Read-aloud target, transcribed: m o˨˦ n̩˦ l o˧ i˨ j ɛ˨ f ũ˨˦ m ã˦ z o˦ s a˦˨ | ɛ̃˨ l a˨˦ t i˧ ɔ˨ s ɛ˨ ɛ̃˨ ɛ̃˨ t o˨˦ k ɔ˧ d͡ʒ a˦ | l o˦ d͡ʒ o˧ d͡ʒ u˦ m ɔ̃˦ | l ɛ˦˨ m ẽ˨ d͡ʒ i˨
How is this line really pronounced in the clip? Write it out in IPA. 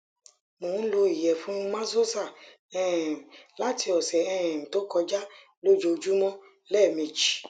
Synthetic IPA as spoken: m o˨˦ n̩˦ l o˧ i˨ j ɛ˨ f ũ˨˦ m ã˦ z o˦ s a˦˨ | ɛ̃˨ l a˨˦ t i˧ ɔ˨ s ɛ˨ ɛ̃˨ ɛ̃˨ t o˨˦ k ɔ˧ d͡ʒ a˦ | l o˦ d͡ʒ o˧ d͡ʒ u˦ m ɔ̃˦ | l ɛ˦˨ m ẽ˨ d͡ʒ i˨